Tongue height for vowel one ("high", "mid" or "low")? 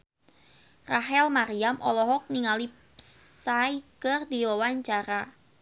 low